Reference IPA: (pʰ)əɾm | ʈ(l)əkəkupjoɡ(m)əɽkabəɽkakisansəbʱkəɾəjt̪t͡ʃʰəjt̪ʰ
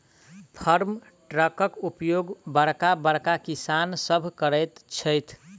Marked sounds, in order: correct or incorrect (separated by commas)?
correct, incorrect, incorrect